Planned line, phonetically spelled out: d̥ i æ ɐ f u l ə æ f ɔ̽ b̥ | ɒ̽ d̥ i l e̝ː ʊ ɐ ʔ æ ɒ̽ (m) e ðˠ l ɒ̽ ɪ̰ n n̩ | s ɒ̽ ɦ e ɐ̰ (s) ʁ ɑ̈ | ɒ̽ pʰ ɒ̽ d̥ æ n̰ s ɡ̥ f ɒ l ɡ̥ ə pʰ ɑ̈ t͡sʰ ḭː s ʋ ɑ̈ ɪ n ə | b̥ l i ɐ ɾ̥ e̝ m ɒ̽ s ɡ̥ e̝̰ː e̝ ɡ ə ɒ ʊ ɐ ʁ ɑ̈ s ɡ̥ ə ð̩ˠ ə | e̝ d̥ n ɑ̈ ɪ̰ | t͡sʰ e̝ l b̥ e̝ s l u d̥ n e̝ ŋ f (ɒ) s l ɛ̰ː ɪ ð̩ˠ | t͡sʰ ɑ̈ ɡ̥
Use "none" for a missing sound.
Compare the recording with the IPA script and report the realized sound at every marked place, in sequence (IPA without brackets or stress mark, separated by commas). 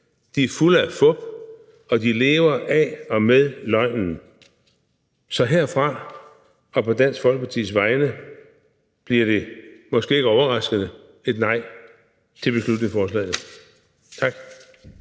m, f, ɒː